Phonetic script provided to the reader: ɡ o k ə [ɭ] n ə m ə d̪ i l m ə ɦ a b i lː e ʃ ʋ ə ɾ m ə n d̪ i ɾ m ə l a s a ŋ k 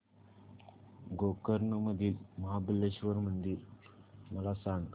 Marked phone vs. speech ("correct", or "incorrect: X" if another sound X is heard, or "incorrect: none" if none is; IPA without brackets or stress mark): incorrect: ɾ